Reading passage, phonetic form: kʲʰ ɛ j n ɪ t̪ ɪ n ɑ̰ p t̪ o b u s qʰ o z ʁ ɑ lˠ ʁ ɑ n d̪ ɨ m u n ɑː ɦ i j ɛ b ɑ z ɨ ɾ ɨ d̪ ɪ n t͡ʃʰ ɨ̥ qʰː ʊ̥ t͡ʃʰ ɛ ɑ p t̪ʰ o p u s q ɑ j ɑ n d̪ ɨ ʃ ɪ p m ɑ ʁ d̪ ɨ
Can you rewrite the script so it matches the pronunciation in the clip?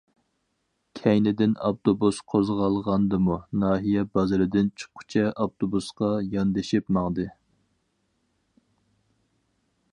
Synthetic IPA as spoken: kʲʰ ɛ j n ɪ d̪ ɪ n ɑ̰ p t̪ o b u s qʰ o z ʁ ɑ lˠ ʁ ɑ n d̪ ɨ m u n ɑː ɦ i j ɛ b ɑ z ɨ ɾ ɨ d̪ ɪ n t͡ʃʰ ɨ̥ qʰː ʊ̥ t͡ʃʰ ɛ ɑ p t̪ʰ o b u s q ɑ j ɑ n d̪ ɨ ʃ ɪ p m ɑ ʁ d̪ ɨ